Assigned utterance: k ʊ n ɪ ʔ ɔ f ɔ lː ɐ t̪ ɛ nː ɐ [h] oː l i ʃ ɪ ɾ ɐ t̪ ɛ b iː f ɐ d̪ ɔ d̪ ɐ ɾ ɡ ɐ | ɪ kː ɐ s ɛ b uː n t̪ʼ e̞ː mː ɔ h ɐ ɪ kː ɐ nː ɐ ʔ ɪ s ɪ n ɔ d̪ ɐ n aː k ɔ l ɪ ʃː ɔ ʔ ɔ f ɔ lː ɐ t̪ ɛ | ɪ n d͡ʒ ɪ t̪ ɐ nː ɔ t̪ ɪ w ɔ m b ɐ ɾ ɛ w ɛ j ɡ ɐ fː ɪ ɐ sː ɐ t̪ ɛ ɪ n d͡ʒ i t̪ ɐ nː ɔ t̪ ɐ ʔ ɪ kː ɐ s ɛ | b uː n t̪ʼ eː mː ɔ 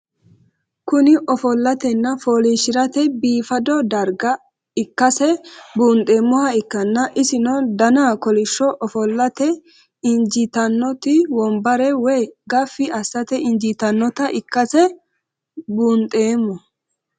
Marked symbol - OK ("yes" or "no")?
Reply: no